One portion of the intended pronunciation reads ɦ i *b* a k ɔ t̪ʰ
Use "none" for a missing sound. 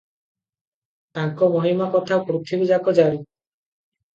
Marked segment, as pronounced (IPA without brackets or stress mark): m